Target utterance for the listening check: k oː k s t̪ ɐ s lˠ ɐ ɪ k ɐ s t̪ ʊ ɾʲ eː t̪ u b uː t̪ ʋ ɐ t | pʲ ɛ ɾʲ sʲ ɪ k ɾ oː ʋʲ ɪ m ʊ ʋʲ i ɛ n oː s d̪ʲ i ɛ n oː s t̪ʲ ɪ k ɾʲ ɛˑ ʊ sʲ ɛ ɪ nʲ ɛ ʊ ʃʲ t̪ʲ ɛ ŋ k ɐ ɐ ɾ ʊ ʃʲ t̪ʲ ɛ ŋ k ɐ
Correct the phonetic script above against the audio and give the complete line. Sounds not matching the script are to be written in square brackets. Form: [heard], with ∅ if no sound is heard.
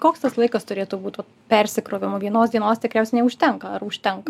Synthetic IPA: k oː k s t̪ ɐ s lˠ ɐ ɪ k ɐ s t̪ ʊ ɾʲ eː t̪ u b uː t̪ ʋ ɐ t | pʲ ɛ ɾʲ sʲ ɪ k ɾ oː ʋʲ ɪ m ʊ ʋʲ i ɛ n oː s d̪ʲ i ɛ n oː s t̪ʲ ɪ k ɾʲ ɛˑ ʊ sʲ ɛ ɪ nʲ ɛ ʊ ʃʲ t̪ʲ ɛ ŋ k ɐ ɐ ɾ ʊ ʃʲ t̪ʲ ɛ ŋ k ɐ